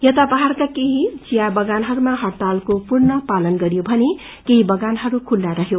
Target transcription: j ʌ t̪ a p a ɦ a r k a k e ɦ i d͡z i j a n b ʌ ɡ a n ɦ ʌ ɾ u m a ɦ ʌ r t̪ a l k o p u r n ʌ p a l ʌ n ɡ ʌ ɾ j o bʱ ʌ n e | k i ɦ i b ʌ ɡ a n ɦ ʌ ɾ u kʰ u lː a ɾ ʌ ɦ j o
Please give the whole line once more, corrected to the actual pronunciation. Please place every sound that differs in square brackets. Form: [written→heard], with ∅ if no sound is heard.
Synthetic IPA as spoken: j ʌ t̪ a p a ɦ a r k a k e ɦ i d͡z i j a [n→∅] b ʌ ɡ a n ɦ ʌ ɾ u m a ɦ ʌ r t̪ a l k o p u r n ʌ p a l ʌ n ɡ ʌ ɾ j o bʱ ʌ n e | k [i→e] ɦ i b ʌ ɡ a n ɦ ʌ ɾ u kʰ u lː a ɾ ʌ ɦ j o